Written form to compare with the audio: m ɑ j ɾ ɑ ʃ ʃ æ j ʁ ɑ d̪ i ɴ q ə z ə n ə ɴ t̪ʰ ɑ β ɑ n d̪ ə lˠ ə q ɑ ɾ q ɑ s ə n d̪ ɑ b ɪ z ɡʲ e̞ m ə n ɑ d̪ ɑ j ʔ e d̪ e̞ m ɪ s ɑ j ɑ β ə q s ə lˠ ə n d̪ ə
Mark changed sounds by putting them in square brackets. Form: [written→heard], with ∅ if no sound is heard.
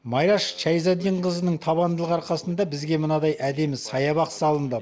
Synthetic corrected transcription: m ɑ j ɾ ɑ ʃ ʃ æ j [ʁ→z] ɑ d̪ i ɴ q ə z ə n ə ɴ t̪ʰ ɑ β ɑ n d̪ ə lˠ ə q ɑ ɾ q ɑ s ə n d̪ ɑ b ɪ z ɡʲ e̞ m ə n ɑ d̪ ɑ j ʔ [e→æ] d̪ e̞ m ɪ s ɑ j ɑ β [ə→ɑ] q s [ə→ɑ] lˠ ə n d̪ ə